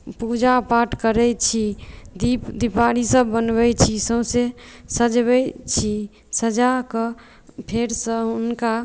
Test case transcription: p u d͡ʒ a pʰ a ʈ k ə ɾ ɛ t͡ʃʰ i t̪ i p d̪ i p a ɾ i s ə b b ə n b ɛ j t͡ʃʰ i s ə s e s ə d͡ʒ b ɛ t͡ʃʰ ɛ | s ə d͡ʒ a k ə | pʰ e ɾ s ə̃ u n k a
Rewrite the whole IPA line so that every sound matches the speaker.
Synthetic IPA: p u d͡ʒ a p a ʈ k ə ɾ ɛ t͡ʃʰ i d̪ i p d̪ i p a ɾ i s ə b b ə n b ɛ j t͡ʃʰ i s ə s e s ə d͡ʒ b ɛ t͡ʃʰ i | s ə d͡ʒ a k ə | pʰ e ɾ s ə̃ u n k a